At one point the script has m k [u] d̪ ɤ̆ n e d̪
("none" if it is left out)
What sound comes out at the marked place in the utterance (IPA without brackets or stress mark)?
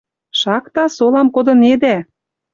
o